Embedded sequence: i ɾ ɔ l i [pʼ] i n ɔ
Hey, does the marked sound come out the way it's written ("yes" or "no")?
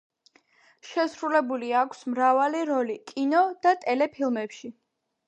no